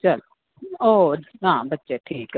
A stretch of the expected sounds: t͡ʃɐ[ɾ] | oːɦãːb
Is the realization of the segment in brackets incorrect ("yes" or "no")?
yes